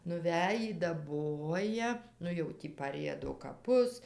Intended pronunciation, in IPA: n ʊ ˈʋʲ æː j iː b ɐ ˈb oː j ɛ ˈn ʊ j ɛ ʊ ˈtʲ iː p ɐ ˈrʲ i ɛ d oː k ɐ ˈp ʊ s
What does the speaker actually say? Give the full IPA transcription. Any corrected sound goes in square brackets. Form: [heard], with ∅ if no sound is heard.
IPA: n ʊ ˈʋʲ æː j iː [d] ɐ ˈb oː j ɛ ˈn ʊ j ɛ ʊ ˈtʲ iː p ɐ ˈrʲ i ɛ d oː k ɐ ˈp ʊ s